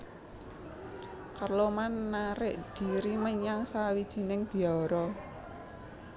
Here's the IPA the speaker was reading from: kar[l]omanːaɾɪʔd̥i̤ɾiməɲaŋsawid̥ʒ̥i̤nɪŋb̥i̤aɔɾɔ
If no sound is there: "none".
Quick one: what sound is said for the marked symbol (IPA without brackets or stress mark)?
l